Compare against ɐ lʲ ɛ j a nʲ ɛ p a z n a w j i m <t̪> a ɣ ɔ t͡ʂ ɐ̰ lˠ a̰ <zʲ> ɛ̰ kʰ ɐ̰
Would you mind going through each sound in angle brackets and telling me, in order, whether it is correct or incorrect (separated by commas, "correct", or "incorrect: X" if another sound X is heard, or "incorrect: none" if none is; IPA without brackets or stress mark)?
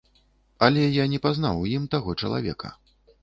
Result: correct, incorrect: vʲ